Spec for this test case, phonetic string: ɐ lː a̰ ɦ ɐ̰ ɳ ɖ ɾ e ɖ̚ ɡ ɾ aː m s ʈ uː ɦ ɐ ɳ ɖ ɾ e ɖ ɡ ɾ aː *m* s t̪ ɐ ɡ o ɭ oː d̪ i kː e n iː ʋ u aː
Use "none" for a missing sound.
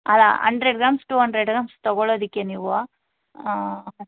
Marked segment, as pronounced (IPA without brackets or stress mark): m